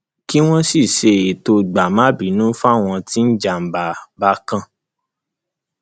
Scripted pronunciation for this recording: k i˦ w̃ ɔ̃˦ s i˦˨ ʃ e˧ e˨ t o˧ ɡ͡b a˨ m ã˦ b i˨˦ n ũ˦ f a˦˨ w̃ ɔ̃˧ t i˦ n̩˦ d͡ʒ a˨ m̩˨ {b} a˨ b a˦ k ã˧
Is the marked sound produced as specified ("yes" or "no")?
yes